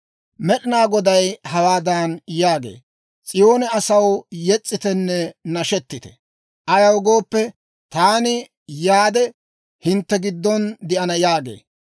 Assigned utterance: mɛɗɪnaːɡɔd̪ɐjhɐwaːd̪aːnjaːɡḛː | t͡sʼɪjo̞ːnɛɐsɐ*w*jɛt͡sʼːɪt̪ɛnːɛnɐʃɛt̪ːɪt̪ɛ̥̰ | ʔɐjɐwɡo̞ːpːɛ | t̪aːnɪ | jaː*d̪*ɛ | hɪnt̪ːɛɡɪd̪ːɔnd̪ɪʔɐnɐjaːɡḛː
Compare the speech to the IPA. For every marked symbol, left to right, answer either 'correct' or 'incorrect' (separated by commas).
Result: correct, correct